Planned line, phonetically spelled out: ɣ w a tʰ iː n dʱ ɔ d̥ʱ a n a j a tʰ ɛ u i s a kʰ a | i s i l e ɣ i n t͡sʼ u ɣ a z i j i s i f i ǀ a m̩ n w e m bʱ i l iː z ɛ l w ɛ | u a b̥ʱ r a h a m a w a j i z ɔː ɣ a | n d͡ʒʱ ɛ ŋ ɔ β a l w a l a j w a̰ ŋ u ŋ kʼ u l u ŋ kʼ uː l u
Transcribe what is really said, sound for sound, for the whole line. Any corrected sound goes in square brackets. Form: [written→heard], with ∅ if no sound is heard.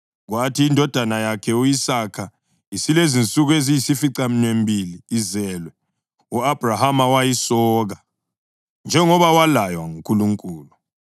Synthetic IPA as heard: ɣ w a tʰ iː n dʱ ɔ d̥ʱ a n a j a [tʰ→kʰ] ɛ u i s a kʰ a | i s i l e [ɣ→z] i n t͡sʼ u ɣ [a→e] z i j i s i f i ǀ a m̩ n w e m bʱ i l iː z ɛ l w ɛ | u a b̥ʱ r a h a m a w a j i [z→s] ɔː ɣ a | n d͡ʒʱ ɛ ŋ ɔ β a [l→∅] w a l a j w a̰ ŋ u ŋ kʼ u l u ŋ kʼ uː l u